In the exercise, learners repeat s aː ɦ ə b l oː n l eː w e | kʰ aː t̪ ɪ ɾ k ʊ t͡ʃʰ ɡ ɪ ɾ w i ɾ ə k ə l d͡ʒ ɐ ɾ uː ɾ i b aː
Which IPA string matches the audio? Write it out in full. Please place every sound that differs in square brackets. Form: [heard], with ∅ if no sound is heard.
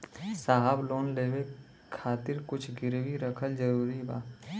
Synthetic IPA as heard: s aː ɦ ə b l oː n l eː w e | kʰ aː t̪ ɪ ɾ k ʊ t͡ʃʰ ɡ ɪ ɾ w i ɾ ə [kʰ] ə l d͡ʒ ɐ ɾ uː ɾ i b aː